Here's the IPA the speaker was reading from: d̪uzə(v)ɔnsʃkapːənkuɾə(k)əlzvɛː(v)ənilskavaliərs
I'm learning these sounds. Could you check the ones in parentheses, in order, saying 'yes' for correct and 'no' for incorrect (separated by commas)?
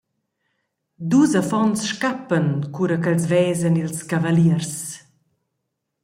no, yes, no